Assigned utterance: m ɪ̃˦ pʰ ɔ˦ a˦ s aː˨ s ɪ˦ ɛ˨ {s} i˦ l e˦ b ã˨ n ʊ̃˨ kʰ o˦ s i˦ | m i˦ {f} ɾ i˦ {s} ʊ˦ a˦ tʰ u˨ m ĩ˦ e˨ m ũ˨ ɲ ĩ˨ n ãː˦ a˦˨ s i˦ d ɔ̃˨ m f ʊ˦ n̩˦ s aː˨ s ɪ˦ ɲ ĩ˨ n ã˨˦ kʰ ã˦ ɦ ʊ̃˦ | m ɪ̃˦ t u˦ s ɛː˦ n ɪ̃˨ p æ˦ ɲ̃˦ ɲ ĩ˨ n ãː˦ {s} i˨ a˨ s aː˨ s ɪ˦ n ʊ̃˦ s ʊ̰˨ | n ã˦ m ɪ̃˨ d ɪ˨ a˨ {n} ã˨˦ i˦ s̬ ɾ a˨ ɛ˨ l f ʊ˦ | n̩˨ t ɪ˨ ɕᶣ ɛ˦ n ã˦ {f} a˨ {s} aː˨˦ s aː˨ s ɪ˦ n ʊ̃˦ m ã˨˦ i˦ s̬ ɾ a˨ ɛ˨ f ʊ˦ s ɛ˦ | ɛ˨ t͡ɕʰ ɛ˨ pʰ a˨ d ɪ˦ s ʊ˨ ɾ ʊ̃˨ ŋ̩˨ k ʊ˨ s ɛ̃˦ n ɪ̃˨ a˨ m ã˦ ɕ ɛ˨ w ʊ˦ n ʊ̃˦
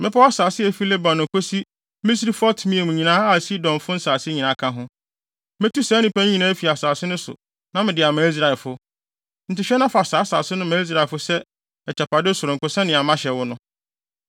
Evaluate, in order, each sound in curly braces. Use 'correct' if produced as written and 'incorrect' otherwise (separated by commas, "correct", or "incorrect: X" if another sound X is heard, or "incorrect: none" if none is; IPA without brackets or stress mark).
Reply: incorrect: f, incorrect: s, incorrect: f, incorrect: f, incorrect: m, correct, correct